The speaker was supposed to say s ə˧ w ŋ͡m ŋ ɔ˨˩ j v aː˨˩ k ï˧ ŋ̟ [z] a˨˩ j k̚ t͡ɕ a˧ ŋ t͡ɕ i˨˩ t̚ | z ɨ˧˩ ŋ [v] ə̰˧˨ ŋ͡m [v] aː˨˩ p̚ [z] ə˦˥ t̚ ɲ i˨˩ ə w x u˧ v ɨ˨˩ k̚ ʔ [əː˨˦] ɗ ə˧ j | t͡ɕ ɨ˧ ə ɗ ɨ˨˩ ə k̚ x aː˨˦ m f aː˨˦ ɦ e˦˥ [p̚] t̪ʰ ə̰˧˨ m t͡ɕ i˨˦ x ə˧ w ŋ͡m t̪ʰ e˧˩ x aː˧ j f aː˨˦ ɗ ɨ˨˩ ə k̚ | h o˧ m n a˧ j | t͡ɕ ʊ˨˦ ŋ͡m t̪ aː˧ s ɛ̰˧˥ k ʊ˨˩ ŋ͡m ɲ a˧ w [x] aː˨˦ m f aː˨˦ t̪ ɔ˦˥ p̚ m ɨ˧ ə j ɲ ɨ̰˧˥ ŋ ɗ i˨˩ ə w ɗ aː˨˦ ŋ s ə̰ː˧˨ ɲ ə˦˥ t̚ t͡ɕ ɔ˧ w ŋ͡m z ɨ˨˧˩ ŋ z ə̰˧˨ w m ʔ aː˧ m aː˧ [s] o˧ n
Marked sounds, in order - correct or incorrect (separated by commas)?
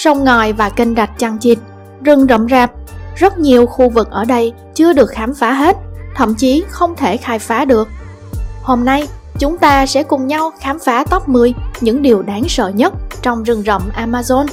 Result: correct, incorrect, incorrect, correct, incorrect, incorrect, correct, incorrect